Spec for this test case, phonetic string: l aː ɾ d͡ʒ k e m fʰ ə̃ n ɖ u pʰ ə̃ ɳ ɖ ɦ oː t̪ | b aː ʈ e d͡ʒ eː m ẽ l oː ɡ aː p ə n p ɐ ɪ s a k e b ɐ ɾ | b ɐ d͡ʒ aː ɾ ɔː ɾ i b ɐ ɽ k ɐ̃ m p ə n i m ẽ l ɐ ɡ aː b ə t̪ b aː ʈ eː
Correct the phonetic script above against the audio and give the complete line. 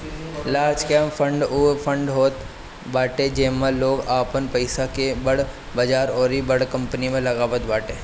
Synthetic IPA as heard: l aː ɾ d͡ʒ k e m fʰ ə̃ ɳ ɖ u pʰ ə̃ ɳ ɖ ɦ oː t̪ | b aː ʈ e d͡ʒ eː m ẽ l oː ɡ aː p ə n p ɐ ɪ s a k e b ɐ ɽ | b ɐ d͡ʒ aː ɾ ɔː ɾ i b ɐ ɽ k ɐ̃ m p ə n i m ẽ l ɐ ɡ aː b ə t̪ b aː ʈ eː